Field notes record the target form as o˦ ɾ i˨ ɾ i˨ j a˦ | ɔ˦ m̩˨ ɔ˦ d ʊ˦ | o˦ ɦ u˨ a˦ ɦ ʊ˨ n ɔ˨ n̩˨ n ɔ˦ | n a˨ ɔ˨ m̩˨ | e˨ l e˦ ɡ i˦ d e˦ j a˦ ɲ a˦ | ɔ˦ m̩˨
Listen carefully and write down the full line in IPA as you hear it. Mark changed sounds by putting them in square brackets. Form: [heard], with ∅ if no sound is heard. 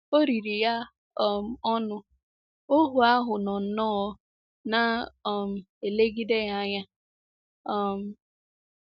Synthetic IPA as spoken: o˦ ɾ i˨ ɾ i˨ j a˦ | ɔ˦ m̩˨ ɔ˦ [n] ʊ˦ | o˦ ɦ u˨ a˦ ɦ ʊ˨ n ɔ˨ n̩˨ n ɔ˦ | n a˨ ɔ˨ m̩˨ | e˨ l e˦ ɡ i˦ d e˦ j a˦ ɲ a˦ | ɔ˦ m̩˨